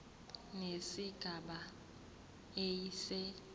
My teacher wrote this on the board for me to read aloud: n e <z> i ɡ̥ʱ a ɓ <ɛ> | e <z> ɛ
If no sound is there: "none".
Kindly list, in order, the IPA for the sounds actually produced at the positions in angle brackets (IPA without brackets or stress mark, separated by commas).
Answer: s, a, s